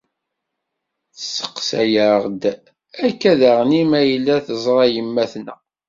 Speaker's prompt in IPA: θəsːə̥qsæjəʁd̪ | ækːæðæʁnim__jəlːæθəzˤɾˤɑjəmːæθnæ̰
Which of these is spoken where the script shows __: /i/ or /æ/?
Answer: æ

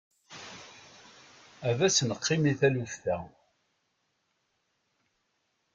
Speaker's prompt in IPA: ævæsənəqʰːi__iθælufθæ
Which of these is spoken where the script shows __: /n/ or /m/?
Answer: m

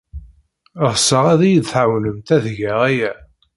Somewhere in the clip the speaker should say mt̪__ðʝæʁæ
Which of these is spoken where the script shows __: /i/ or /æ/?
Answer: æ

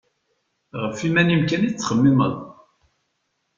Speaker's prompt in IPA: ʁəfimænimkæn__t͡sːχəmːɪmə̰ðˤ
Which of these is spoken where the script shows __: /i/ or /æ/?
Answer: i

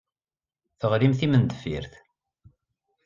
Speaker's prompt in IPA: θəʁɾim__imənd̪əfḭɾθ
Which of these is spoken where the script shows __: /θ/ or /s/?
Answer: θ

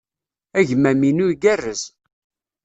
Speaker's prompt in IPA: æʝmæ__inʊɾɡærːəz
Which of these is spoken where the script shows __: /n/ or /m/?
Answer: m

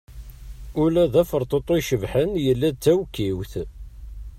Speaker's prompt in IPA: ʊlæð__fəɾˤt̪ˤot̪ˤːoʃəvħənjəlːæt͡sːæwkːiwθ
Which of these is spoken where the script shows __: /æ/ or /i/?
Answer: æ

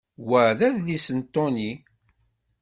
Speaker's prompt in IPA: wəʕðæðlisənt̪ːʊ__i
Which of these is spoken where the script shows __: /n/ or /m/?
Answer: n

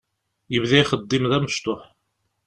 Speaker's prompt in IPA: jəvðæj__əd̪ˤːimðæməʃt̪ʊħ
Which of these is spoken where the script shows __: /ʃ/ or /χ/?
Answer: χ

